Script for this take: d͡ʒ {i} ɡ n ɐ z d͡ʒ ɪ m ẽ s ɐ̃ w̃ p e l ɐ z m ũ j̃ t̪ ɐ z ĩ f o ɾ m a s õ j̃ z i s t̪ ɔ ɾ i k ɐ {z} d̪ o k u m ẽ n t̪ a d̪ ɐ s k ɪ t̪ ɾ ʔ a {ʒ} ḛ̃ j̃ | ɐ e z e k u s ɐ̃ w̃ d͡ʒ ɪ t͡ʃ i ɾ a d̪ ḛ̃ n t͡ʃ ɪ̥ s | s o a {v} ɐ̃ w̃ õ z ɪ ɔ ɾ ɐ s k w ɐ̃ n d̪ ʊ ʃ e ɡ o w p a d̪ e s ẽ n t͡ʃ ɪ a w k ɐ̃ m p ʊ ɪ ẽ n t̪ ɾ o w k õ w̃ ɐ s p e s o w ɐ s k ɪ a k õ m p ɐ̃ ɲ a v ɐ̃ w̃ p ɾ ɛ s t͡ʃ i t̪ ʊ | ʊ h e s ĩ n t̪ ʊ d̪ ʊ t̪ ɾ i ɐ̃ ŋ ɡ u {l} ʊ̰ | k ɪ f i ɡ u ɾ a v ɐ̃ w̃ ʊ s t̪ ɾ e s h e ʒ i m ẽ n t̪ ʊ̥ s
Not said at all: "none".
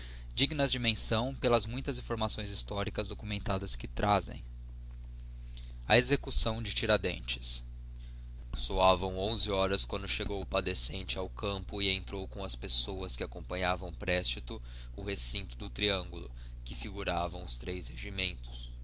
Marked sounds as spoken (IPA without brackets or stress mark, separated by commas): i, z, z, v, l